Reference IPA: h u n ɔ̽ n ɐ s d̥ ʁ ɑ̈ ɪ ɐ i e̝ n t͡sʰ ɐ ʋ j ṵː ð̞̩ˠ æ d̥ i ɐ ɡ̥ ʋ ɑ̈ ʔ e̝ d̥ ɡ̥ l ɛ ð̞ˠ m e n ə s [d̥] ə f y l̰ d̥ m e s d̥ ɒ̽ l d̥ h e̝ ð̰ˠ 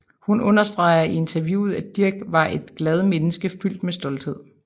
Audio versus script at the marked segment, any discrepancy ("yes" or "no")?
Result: yes